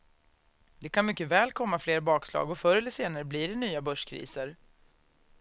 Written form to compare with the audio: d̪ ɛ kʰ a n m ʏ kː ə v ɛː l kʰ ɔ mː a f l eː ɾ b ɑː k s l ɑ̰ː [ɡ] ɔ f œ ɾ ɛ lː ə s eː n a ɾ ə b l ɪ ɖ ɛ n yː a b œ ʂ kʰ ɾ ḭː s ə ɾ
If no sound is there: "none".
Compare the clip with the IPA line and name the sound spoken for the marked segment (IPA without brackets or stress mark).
ɡ